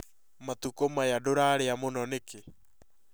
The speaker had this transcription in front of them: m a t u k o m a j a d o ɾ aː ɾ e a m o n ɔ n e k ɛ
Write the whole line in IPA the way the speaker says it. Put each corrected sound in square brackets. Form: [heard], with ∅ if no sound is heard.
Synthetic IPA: m a t u k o m a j a d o ɾ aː ɾ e a m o n ɔ n e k [e]